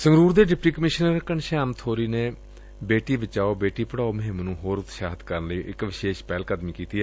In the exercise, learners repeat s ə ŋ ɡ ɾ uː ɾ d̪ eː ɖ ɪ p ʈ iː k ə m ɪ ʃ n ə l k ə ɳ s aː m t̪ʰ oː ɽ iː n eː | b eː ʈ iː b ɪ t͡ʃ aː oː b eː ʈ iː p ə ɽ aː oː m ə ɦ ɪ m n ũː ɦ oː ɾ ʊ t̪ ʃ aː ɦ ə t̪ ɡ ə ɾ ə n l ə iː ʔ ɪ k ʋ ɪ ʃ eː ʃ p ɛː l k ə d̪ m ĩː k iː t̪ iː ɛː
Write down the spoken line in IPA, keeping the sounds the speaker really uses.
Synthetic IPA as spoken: s ə ŋ ɡ ɾ uː ɾ d̪ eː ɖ ɪ p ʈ iː k ə m ɪ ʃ n ə ɾ k ə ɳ ʃ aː m t̪ʰ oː ɾ iː n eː | b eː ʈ iː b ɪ t͡ʃ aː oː b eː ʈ iː p ə ɽ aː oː m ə ɦ ɪ m n ũː ɦ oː ɾ ʊ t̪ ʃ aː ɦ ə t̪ k ə ɾ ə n l ə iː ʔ ɪ k ʋ ɪ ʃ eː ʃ p ɛː l k ə d̪ m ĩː k iː t̪ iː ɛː